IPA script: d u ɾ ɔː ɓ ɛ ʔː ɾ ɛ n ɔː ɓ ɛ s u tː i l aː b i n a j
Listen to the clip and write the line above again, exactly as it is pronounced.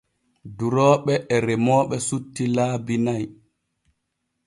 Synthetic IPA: d u ɾ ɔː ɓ ɛ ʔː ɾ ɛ m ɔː ɓ ɛ s u tː i l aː b i n a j